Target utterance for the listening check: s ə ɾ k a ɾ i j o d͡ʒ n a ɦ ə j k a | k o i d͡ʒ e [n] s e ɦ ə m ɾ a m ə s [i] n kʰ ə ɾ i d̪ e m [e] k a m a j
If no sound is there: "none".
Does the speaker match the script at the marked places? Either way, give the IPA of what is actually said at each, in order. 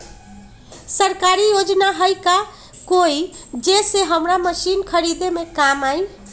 none, i, e

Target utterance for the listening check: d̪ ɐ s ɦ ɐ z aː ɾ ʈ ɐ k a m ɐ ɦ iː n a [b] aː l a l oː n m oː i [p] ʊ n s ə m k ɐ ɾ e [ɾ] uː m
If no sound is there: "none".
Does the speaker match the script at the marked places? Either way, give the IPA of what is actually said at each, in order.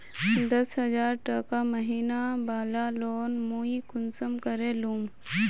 b, k, l

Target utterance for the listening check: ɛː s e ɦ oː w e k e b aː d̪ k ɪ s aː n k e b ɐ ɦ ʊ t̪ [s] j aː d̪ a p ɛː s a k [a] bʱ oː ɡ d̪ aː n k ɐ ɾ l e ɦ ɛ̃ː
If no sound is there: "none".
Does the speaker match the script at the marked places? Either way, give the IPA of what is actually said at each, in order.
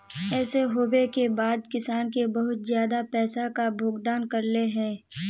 z, a

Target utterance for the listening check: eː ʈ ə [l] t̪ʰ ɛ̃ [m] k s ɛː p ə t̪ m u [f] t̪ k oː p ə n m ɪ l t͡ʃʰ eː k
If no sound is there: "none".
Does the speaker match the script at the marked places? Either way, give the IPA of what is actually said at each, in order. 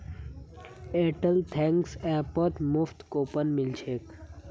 l, ŋ, f

